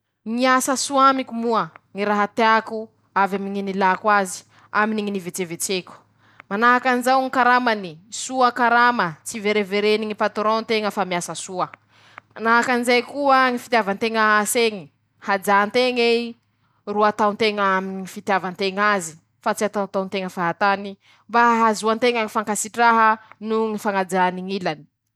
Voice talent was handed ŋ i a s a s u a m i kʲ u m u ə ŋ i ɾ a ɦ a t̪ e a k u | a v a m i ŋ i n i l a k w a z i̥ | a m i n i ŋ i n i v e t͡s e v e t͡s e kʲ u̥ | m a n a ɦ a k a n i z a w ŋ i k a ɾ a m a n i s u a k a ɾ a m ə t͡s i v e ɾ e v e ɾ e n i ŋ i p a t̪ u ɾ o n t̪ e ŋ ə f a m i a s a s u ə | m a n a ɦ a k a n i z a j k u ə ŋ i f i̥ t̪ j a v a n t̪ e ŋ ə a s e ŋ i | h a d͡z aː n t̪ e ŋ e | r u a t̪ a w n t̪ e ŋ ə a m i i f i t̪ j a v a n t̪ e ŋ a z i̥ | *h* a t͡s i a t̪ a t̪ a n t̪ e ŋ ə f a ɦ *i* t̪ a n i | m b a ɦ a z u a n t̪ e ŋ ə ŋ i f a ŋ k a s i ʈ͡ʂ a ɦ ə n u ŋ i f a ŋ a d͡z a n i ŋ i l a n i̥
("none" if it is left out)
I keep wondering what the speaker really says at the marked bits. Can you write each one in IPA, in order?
f, a

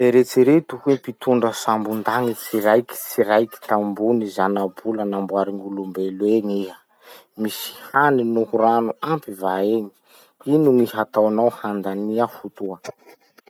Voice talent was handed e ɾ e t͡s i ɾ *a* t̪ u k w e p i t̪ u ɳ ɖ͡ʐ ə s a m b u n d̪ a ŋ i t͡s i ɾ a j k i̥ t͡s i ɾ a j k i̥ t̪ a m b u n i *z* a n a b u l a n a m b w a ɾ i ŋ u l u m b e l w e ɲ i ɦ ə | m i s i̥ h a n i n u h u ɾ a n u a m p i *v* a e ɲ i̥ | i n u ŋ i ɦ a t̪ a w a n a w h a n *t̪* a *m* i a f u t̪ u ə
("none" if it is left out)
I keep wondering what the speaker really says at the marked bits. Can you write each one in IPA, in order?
e, z, v, d̪, n

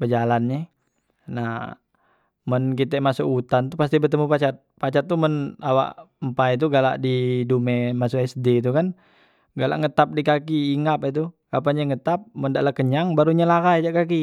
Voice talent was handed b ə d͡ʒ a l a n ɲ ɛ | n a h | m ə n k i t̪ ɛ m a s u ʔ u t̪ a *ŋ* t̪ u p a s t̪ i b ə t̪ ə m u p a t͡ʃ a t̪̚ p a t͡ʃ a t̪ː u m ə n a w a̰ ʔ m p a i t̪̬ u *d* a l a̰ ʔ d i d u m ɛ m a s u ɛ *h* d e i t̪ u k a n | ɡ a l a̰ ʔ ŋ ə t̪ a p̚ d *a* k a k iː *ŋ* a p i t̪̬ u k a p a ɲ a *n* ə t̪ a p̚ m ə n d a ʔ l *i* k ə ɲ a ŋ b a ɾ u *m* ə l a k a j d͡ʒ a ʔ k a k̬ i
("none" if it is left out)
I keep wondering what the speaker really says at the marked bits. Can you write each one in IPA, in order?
n, ɡ, s, i, ŋ, ŋ, a, ɲ

